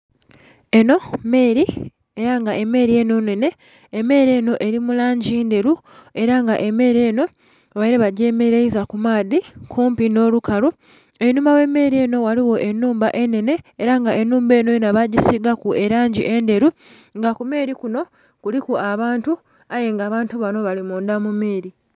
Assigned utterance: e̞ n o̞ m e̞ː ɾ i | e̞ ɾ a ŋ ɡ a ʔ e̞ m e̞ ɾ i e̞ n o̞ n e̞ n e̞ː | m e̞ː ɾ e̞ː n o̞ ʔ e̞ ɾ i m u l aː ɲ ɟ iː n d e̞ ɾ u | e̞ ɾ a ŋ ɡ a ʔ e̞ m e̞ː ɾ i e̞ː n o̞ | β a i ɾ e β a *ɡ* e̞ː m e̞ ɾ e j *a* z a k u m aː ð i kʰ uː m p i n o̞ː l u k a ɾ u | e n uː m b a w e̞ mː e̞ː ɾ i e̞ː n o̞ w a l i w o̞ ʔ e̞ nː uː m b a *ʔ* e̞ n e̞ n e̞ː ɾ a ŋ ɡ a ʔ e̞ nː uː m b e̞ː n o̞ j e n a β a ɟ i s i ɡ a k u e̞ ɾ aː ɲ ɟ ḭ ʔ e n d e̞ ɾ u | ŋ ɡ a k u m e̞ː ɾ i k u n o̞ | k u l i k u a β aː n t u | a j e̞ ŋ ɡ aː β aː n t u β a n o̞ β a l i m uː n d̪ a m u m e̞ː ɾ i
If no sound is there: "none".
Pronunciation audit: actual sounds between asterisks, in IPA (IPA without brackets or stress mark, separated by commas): ɟ, i, ʔ